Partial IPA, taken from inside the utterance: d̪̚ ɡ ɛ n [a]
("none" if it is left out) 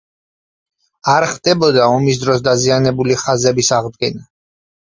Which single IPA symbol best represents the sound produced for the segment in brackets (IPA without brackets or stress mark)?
a